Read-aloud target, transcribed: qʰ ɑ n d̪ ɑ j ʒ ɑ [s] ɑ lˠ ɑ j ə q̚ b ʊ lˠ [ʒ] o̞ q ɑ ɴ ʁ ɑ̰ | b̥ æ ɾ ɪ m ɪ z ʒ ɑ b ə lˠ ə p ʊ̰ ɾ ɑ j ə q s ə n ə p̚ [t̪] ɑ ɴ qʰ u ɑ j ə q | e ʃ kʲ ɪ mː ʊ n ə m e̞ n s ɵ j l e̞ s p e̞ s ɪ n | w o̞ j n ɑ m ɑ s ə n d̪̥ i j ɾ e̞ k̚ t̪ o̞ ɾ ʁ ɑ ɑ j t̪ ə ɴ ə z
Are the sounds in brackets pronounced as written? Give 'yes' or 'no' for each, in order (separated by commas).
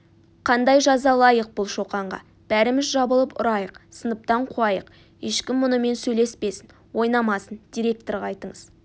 no, no, yes